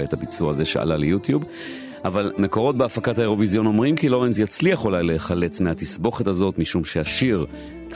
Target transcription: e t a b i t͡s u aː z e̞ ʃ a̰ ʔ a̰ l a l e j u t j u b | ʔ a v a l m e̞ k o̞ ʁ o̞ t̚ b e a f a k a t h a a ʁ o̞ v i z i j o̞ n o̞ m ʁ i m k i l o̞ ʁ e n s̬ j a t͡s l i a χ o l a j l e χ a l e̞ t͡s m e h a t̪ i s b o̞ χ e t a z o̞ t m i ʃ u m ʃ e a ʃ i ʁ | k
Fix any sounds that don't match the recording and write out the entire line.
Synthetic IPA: e t a b i t͡s u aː z e̞ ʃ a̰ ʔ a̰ l a l e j u t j u b | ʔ a v a l m e̞ k o̞ ʁ o̞ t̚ b e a f a k a t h a e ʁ o̞ v i z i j o̞ n o̞ m ʁ i m k i l o̞ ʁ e n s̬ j a t͡s l i a χ o l a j l e χ a l e̞ t͡s m e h a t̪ i s b o̞ χ e t a z o̞ t m i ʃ u m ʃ e a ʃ i ʁ | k